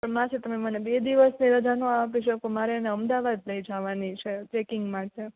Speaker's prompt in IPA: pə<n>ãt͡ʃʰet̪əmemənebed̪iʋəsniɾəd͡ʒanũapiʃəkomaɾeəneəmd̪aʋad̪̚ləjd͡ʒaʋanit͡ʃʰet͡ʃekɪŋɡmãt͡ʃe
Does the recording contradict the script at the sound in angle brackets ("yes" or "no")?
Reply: yes